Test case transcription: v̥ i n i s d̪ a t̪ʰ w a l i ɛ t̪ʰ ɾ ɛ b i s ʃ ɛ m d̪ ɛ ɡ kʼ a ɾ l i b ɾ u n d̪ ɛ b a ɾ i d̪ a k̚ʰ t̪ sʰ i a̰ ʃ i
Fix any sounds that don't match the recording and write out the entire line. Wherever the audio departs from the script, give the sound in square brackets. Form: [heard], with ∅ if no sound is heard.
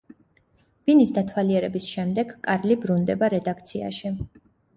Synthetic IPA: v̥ i n i s d̪ a t̪ʰ w a l i ɛ [∅] ɾ ɛ b i s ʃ ɛ m d̪ ɛ ɡ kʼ a ɾ l i b ɾ u n d̪ ɛ b a ɾ [ɛ] d̪ a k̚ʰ t̪ sʰ i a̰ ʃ i